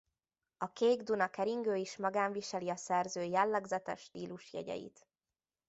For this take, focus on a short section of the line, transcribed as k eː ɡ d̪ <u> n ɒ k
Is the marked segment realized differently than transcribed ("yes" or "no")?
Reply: no